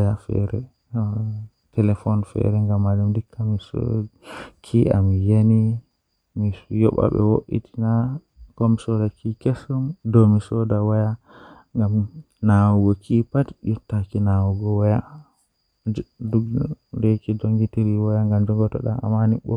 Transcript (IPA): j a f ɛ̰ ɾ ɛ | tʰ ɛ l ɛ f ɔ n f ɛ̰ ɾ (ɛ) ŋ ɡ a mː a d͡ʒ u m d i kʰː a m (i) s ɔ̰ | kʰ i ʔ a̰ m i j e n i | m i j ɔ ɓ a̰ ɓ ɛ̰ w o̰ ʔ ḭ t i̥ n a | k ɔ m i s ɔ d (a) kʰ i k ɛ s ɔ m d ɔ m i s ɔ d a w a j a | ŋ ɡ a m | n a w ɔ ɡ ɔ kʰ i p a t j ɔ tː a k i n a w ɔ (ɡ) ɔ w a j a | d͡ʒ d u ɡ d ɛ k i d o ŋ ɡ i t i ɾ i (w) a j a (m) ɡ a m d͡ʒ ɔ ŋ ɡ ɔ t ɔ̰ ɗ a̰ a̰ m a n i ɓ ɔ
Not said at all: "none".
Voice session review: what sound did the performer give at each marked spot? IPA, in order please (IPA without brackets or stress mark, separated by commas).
ɛ, i, a, ɡ, w, ŋ